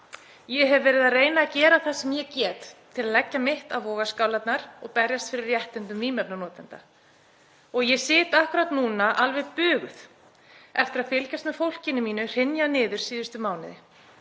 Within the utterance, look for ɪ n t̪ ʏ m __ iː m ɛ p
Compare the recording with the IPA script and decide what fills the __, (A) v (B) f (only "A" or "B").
A